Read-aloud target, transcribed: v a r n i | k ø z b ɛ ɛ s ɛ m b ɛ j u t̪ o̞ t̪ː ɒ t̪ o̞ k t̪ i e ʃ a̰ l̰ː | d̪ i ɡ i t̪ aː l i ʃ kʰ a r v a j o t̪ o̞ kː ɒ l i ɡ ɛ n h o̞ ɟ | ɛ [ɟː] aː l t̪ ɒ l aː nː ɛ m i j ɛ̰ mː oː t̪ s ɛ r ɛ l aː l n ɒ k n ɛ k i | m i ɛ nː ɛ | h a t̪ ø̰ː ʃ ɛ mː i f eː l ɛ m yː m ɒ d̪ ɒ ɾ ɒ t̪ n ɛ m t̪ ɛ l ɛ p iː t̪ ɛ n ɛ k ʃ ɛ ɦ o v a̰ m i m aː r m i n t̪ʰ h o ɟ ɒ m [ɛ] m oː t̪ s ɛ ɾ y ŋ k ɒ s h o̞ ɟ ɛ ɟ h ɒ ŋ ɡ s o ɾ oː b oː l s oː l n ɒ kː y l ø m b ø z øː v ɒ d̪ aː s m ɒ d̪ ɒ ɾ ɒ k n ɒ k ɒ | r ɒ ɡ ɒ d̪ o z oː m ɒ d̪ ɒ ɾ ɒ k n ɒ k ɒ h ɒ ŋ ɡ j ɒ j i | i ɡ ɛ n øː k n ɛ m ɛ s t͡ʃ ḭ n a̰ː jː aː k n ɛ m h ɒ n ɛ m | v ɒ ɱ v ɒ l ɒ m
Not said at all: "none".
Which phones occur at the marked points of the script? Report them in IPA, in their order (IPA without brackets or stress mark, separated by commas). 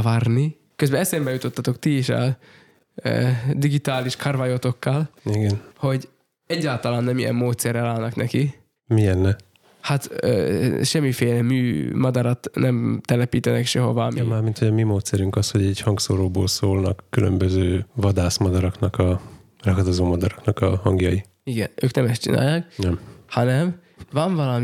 ɟː, i